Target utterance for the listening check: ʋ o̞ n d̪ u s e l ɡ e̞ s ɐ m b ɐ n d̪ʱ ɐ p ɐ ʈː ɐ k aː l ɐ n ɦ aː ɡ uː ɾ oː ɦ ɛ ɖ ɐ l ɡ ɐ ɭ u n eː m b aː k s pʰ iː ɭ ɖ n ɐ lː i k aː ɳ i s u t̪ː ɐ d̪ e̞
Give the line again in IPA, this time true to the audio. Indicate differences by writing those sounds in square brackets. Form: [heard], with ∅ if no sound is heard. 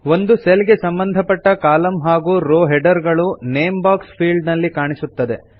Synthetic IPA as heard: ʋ o̞ n d̪ u s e l ɡ e̞ s ɐ m b ɐ n d̪ʱ ɐ p ɐ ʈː ɐ k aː l ɐ [m] ɦ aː ɡ uː ɾ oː ɦ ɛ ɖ ɐ [ɾ] ɡ ɐ ɭ u n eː m b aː k s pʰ iː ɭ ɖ n ɐ lː i k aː ɳ i s u t̪ː ɐ d̪ e̞